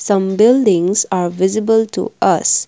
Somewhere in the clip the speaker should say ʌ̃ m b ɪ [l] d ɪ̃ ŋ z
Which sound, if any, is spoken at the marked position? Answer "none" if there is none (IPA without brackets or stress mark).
l